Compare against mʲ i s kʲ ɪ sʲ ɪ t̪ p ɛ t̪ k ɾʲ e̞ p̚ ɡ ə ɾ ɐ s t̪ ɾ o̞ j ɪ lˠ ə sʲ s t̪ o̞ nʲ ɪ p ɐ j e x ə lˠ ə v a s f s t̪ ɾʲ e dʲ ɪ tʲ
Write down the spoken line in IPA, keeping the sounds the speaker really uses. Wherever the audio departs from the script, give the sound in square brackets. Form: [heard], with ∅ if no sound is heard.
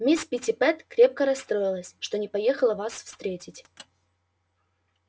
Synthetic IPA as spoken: mʲ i s [pʲ] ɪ [tʲ] ɪ [∅] p ɛ t̪ k ɾʲ e̞ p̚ [k] ə ɾ ɐ s t̪ ɾ o̞ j ɪ lˠ ə sʲ [ʂ] t̪ o̞ nʲ ɪ p ɐ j e x ə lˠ ə v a s f s t̪ ɾʲ e [tʲ] ɪ tʲ